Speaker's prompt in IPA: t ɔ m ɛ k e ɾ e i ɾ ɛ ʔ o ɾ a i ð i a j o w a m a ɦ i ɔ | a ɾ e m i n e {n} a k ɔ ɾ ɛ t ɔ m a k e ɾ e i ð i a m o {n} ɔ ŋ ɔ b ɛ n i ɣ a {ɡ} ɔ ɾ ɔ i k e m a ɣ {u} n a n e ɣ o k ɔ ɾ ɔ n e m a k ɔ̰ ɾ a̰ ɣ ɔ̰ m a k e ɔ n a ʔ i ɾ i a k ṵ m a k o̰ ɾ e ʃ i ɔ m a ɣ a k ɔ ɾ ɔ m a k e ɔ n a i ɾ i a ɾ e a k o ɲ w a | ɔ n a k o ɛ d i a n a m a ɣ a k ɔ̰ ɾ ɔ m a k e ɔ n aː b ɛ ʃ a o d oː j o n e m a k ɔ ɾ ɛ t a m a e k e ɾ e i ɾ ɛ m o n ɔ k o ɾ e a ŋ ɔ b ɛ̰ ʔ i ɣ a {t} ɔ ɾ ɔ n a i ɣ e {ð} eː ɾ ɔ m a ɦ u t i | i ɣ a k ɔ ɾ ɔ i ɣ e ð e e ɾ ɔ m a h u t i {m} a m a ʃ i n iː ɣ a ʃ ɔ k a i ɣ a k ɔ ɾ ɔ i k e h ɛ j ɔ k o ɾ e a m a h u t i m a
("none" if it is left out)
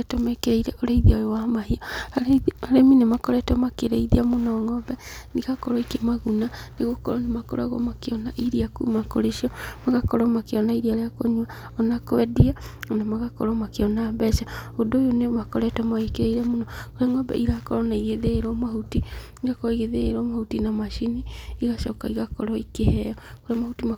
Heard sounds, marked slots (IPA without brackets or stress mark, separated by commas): m, n, k, u, k, ð, n